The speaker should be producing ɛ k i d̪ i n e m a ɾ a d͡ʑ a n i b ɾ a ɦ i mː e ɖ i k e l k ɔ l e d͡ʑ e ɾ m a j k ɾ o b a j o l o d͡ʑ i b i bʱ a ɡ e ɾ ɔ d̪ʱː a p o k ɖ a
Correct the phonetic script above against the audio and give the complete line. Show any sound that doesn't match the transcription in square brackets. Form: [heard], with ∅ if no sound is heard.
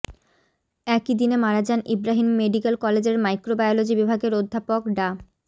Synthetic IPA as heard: ɛ k i d̪ i n e m a ɾ a d͡ʑ a n i b ɾ a ɦ i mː e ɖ i k e l k ɔ l e d͡ʑ e ɾ m a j k ɾ o b a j o l o d͡ʑ i b i bʱ a ɡ e ɾ [o] d̪ʱː a p o k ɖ a